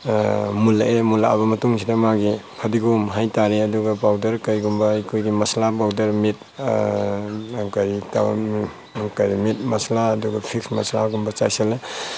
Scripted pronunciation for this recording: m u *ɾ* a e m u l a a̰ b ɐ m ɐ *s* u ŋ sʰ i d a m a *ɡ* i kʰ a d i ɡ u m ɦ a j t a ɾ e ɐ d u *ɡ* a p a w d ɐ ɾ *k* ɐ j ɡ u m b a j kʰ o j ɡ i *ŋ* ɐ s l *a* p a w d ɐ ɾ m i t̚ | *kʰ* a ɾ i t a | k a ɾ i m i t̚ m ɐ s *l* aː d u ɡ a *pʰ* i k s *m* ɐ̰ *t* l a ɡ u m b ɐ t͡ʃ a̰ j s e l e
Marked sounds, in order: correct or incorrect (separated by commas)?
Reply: incorrect, incorrect, correct, correct, correct, incorrect, correct, incorrect, correct, correct, correct, incorrect